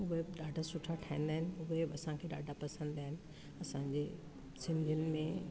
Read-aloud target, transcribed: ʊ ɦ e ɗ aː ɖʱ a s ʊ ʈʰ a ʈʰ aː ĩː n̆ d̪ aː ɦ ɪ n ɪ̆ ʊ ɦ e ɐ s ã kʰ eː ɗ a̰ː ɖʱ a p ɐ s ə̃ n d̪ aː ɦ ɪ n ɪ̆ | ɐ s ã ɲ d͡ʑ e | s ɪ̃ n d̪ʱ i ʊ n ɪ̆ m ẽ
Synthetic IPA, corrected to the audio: ʊ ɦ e ɗ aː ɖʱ a s ʊ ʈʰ a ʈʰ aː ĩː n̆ d̪ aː ɦ ɪ n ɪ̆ ʊ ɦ e ɐ s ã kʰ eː ɗ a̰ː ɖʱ a p ɐ s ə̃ n d̪ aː ɦ ɪ n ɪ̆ | ɐ s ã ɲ d͡ʑ e | s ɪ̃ n d̪ʱ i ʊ n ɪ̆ m ẽ